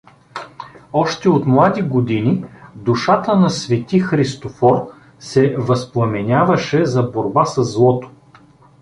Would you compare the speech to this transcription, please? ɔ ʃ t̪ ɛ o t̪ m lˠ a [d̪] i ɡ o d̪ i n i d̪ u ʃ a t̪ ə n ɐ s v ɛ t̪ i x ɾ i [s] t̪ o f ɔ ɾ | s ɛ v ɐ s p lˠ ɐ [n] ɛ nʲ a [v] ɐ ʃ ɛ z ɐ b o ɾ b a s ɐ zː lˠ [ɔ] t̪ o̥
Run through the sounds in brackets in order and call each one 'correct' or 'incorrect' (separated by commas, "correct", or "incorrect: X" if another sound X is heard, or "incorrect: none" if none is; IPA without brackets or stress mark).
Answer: correct, correct, incorrect: m, correct, correct